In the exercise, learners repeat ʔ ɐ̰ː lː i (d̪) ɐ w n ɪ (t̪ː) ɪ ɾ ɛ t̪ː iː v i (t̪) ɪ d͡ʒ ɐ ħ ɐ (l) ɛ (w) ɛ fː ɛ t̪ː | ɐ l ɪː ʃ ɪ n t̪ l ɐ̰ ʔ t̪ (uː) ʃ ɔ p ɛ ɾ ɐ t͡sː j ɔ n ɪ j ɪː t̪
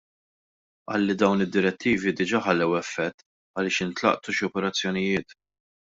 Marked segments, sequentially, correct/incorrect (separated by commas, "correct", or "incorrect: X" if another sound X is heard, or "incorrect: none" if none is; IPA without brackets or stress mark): correct, incorrect: d̪ː, incorrect: d̪, incorrect: lː, correct, incorrect: u